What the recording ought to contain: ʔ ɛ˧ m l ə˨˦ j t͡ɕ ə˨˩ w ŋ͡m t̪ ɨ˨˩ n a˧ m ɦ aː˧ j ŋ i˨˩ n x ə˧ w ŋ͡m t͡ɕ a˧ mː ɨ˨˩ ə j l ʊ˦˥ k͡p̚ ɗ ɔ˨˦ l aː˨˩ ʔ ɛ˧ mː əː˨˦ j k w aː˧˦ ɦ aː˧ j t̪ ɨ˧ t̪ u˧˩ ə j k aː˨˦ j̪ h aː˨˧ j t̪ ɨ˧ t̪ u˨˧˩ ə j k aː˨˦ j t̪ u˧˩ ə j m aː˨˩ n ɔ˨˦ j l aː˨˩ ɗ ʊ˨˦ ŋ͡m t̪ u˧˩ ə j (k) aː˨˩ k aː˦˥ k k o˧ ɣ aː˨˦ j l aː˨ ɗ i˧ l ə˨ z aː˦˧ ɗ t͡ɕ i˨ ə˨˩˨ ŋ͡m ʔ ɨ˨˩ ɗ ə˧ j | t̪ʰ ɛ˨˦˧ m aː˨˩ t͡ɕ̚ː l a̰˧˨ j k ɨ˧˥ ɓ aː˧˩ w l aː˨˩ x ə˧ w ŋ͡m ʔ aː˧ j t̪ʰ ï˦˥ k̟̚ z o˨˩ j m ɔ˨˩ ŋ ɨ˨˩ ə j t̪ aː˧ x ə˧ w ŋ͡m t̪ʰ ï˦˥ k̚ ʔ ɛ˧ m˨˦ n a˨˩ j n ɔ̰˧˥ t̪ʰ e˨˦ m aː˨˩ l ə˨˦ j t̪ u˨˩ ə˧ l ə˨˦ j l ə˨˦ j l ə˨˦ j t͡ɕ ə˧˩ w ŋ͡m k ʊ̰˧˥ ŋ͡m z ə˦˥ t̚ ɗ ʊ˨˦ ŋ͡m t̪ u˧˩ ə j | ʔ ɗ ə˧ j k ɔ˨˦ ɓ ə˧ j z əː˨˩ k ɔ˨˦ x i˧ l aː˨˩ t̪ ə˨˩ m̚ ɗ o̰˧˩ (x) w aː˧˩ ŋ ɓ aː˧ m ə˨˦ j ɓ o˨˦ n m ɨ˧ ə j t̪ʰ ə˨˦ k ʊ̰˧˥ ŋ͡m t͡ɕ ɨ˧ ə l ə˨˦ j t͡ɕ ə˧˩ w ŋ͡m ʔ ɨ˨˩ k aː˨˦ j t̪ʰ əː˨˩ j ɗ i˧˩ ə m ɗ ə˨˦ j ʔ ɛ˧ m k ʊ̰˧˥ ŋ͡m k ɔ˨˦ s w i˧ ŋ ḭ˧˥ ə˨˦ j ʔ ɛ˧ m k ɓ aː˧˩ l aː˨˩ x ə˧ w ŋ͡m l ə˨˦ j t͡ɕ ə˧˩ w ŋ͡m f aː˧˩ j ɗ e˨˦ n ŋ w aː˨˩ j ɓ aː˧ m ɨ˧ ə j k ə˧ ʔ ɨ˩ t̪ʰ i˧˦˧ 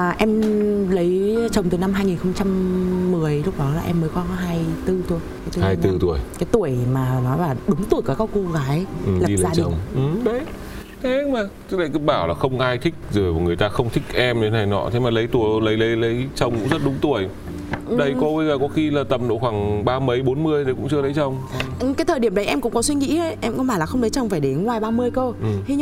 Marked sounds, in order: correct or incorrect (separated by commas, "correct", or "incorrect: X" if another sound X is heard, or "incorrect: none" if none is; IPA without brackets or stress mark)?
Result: correct, correct